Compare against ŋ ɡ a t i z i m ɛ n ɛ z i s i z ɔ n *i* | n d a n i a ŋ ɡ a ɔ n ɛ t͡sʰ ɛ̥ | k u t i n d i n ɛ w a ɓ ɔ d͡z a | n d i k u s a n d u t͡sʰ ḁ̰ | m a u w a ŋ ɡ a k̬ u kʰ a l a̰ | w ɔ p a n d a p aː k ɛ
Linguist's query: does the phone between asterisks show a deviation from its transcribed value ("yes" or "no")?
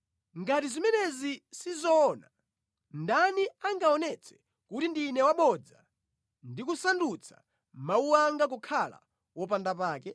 yes